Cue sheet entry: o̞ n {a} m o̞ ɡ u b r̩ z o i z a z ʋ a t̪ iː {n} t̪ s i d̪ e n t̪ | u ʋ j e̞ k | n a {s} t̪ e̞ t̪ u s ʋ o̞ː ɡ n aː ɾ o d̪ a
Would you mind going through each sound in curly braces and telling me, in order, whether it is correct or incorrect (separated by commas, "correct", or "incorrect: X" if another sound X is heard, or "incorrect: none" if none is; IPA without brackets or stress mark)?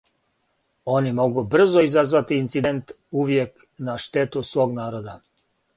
incorrect: i, correct, incorrect: ʃ